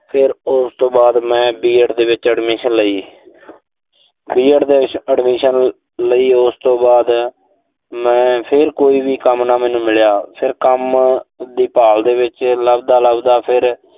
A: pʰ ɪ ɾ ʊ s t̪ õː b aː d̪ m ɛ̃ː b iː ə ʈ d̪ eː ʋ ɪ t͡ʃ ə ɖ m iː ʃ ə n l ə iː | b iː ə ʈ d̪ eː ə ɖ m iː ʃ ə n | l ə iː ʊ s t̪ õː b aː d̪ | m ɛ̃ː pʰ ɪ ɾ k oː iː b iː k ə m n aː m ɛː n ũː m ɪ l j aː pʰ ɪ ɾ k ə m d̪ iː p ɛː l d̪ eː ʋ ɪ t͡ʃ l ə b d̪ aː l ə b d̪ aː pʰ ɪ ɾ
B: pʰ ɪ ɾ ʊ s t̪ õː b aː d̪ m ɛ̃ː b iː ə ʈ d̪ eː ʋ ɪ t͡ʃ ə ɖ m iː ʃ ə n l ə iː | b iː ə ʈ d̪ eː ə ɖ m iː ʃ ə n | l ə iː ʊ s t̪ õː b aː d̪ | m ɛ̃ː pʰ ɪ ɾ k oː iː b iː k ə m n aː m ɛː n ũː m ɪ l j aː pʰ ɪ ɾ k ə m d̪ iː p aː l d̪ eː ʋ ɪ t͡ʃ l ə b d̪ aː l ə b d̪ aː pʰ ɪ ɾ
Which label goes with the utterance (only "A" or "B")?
B